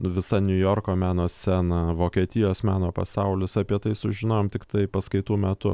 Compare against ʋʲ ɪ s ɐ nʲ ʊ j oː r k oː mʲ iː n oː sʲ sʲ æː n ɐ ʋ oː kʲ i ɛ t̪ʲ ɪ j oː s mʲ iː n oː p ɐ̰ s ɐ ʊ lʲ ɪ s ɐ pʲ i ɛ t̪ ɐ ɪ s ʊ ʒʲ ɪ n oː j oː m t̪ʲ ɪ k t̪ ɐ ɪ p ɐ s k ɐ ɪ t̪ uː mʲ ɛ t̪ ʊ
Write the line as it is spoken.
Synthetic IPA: ʋʲ ɪ s ɐ nʲ ʊ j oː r k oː mʲ æː n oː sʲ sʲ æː n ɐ ʋ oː kʲ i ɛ t̪ʲ ɪ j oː s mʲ æː n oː p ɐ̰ s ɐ ʊ lʲ ɪ s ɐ pʲ i ɛ t̪ ɐ ɪ s ʊ ʒʲ ɪ n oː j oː m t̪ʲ ɪ k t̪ ɐ ɪ p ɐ s k ɐ ɪ t̪ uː mʲ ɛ t̪ ʊ